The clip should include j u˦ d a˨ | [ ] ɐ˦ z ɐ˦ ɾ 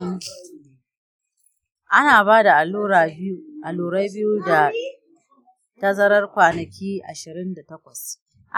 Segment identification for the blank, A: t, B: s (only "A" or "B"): A